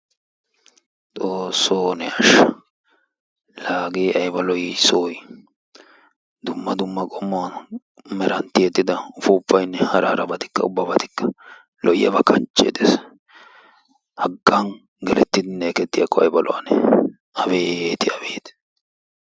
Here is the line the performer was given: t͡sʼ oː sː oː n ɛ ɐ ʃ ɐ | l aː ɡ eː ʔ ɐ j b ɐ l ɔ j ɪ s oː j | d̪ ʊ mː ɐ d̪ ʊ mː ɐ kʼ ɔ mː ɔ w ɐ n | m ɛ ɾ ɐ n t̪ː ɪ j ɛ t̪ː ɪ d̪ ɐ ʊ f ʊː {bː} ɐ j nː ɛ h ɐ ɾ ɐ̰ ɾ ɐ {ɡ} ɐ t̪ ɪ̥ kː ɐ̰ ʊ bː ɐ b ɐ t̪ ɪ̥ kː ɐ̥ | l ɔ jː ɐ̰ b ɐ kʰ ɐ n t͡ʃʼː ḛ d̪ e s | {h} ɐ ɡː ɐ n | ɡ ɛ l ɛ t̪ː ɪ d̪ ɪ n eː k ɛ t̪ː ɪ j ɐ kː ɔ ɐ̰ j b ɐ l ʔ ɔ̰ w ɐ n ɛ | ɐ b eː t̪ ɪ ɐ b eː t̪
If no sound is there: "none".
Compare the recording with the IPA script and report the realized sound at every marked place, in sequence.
pː, b, h

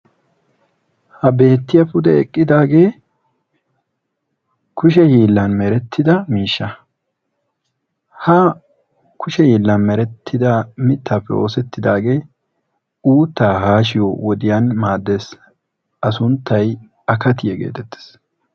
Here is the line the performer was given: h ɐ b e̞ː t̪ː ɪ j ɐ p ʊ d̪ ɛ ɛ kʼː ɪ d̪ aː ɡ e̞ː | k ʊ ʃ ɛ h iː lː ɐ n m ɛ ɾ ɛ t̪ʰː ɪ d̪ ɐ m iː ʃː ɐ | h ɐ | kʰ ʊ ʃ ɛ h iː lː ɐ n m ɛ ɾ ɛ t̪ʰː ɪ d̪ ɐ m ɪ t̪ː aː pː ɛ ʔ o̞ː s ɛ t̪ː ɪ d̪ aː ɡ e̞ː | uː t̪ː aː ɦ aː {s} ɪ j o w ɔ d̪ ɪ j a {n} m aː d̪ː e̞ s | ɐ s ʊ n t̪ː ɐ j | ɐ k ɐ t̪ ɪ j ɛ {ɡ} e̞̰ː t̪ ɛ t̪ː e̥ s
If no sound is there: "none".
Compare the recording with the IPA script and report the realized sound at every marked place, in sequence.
ʃ, n, ɡ

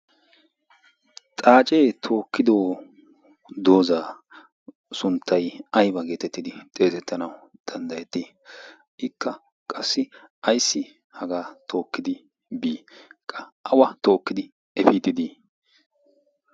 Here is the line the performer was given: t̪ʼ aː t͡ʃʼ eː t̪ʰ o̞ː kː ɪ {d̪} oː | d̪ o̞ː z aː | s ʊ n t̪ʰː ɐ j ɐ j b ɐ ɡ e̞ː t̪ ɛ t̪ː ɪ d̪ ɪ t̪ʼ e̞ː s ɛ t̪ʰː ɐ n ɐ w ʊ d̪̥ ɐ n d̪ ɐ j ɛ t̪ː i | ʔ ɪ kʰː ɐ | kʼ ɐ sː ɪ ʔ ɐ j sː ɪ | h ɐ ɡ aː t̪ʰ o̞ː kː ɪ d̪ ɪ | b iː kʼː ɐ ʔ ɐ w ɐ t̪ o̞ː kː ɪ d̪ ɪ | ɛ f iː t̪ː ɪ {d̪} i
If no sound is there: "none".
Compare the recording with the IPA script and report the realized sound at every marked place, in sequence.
d̪, d̪

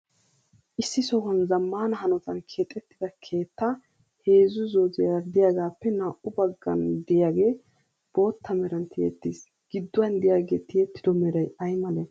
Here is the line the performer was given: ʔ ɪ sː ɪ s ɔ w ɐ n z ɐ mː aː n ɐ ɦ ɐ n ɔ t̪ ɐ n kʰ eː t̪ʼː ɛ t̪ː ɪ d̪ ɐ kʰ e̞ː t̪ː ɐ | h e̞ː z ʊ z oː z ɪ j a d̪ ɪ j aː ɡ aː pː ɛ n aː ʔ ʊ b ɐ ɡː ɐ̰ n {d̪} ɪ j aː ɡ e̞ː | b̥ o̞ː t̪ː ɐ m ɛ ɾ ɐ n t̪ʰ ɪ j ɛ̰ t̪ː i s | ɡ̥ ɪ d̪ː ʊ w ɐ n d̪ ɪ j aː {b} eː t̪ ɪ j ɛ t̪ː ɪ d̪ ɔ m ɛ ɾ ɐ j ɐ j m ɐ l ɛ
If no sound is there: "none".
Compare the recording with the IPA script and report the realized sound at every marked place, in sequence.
d̪, ɡ

